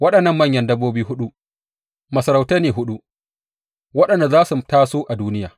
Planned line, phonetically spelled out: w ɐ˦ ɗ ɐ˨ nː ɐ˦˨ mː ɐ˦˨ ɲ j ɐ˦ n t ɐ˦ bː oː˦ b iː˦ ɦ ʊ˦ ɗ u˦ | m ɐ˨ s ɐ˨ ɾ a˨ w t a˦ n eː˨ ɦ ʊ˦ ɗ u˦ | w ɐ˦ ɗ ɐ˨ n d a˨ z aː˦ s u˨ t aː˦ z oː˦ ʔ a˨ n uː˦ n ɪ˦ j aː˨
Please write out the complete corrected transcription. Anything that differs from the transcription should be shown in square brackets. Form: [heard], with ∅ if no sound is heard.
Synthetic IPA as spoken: w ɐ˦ ɗ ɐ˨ nː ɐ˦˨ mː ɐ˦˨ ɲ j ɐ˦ n [d] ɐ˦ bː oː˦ b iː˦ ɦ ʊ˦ ɗ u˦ | m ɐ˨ s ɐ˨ ɾ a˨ w t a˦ n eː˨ ɦ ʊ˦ ɗ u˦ | w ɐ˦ ɗ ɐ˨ n d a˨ z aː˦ s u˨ t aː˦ [s] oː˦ ʔ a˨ [d] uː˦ n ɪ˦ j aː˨